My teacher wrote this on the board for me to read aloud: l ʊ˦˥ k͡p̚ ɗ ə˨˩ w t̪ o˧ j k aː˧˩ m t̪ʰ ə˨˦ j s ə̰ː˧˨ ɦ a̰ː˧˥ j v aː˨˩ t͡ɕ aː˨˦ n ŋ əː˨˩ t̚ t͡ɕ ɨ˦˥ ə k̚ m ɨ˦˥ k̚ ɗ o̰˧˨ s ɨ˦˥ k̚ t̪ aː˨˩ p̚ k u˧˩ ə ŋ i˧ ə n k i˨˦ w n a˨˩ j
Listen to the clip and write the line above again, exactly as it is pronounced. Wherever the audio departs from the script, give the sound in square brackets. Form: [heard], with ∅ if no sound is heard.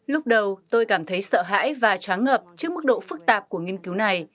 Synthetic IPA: l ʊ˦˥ k͡p̚ ɗ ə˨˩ w t̪ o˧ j k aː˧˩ m t̪ʰ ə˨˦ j s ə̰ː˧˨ ɦ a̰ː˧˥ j v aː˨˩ t͡ɕ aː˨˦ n ŋ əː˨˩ [p̚] t͡ɕ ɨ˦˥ ə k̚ m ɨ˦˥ k̚ ɗ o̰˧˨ [f] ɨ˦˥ k̚ t̪ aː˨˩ p̚ k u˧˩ ə ŋ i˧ ə n k i˨˦ w n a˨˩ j